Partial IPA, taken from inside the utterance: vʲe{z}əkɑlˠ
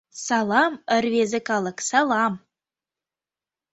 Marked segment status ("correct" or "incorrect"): correct